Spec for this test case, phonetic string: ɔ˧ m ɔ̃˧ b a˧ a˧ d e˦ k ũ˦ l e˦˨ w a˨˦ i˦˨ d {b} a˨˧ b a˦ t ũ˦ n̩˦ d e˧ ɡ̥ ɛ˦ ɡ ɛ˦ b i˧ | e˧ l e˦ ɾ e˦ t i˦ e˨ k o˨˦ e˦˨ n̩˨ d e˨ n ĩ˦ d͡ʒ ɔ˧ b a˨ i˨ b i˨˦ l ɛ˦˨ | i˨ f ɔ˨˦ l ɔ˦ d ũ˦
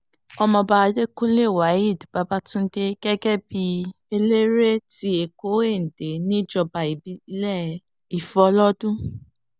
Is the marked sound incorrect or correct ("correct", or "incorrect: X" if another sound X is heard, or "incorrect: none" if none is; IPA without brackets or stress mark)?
correct